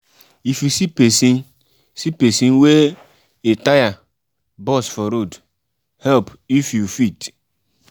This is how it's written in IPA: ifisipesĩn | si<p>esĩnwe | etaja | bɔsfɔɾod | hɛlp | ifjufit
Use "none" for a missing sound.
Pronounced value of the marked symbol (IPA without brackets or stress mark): p